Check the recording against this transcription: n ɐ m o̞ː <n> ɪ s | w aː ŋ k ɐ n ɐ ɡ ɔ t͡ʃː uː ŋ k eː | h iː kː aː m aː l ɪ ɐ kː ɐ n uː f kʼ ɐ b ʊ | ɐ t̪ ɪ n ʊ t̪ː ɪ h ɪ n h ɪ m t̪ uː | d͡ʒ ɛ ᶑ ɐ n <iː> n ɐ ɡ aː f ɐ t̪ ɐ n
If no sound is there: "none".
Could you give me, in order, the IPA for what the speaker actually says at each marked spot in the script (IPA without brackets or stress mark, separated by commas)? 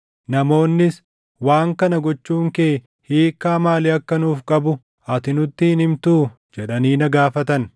nː, iː